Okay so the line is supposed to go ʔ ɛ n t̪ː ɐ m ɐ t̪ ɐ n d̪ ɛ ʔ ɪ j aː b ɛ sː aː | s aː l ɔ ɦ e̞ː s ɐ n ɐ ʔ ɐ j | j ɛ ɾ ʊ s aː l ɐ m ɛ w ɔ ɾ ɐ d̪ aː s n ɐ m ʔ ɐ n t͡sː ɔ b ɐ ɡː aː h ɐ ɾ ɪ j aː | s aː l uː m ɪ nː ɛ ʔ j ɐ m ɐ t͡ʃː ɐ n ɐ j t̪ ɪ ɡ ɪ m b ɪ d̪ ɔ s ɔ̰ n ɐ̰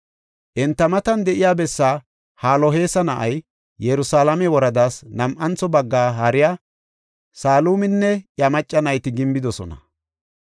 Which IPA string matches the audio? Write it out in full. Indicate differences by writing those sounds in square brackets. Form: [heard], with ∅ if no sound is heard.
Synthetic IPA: ʔ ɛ n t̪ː ɐ m ɐ t̪ ɐ n d̪ ɛ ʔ ɪ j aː b ɛ sː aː | [h] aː l ɔ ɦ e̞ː s ɐ n ɐ ʔ ɐ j | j ɛ ɾ ʊ s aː l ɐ m ɛ w ɔ ɾ ɐ d̪ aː s n ɐ m ʔ ɐ n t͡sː ɔ b ɐ ɡː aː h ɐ ɾ ɪ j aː | s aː l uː m ɪ nː ɛ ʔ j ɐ m ɐ [t͡ʃʼː] ɐ n ɐ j t̪ ɪ ɡ ɪ m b ɪ d̪ ɔ s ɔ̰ n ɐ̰